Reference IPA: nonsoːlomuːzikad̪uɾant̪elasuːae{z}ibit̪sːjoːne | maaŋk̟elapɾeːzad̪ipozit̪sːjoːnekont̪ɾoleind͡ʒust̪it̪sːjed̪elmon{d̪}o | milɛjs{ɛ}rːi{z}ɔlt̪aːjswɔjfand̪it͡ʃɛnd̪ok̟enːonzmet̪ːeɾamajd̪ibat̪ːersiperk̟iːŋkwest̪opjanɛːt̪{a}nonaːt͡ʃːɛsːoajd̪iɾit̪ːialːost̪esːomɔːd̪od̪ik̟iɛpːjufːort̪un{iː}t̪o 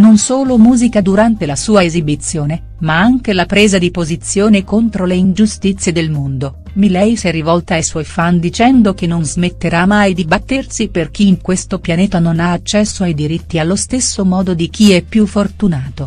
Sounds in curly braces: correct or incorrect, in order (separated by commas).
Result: correct, correct, correct, incorrect, correct, incorrect